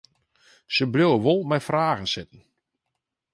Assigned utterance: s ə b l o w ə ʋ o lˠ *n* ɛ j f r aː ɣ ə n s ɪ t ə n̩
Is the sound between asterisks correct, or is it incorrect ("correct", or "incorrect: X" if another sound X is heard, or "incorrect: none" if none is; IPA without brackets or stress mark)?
incorrect: m